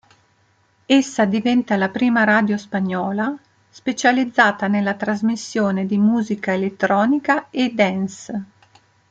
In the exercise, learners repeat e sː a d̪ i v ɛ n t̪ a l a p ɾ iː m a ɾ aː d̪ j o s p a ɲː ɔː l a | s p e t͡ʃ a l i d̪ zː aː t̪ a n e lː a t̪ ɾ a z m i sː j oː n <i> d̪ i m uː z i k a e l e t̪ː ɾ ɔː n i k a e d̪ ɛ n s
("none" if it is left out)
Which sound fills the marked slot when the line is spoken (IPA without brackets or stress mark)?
e